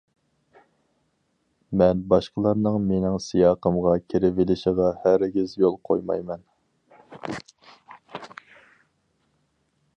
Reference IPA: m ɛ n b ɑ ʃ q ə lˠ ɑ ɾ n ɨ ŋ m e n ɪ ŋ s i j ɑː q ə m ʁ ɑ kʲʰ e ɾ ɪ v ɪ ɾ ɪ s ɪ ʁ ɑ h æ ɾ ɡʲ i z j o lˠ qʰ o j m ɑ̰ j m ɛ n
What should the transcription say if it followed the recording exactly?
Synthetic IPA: m ɛ n b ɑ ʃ q ə lˠ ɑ ɾ n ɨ ŋ m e n ɪ ŋ s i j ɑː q ə m ʁ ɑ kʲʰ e ɾ ɪ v ɪ l ɪ ʃ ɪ ʁ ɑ h æ ɾ ɡʲ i z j o lˠ qʰ o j m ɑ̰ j m ɛ n